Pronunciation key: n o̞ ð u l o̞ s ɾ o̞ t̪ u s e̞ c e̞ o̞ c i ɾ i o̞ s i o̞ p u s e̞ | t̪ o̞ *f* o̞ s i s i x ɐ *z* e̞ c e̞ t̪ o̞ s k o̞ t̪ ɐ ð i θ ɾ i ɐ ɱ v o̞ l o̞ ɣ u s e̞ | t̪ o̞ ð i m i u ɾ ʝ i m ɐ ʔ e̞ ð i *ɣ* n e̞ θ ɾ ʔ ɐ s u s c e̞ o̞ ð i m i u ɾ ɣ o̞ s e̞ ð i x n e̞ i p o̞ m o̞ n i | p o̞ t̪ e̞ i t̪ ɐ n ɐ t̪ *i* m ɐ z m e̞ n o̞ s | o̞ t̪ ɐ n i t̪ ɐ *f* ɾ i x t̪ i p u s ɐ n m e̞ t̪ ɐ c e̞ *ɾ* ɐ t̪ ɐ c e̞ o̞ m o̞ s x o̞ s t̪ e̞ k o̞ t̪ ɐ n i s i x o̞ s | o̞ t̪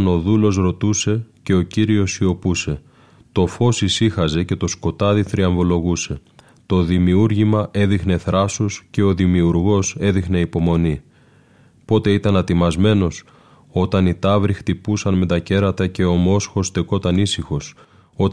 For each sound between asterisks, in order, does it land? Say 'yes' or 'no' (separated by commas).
yes, yes, no, yes, no, yes